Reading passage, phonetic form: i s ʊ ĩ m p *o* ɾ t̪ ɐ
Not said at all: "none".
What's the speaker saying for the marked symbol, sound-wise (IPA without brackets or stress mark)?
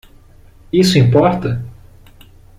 ɔ